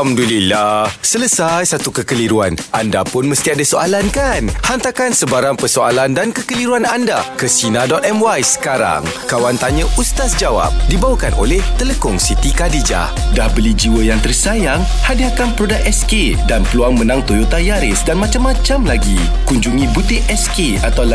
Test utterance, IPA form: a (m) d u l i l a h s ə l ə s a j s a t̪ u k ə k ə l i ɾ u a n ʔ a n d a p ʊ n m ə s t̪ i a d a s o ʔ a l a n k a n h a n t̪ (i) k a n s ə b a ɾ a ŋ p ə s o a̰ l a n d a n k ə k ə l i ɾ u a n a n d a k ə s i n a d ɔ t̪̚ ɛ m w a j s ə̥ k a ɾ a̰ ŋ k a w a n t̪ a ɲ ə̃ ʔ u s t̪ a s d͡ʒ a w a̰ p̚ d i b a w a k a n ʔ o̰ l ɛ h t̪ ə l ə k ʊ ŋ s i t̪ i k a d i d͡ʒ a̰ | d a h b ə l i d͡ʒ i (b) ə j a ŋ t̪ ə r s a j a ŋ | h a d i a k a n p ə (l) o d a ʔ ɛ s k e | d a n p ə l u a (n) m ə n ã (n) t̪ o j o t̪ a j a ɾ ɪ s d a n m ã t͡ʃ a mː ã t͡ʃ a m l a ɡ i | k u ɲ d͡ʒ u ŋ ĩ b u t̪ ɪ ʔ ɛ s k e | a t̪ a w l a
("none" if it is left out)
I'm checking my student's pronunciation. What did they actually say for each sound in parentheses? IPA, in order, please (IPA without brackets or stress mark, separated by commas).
m, a, w, ɾ, ŋ, ŋ